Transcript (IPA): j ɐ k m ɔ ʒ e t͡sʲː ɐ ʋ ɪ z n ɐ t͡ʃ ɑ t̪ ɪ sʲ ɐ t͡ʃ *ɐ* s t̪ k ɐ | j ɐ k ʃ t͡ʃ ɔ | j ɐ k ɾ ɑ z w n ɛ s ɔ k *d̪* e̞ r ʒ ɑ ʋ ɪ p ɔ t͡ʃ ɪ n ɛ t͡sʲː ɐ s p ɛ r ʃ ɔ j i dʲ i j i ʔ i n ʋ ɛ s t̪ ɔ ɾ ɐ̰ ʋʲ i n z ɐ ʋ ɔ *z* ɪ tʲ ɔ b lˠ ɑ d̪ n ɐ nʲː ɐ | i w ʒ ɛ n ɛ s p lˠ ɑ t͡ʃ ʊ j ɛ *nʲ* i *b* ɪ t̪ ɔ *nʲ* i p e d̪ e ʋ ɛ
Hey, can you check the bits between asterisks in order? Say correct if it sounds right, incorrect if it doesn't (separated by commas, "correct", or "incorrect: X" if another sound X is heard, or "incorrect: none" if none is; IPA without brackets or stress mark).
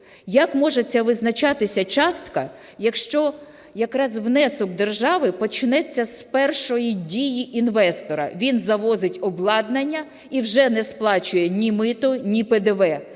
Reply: incorrect: ɑ, correct, correct, correct, incorrect: m, correct